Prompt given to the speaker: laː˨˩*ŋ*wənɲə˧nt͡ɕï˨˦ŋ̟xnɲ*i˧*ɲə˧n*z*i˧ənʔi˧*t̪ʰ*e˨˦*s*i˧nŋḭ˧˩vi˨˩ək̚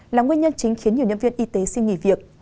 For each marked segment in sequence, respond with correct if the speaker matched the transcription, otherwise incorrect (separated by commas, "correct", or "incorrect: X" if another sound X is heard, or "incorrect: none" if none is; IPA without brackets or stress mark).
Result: correct, incorrect: i˨˩, incorrect: v, incorrect: t̪, correct